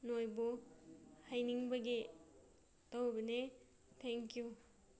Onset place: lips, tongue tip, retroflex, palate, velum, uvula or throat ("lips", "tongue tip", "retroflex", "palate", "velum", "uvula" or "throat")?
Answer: tongue tip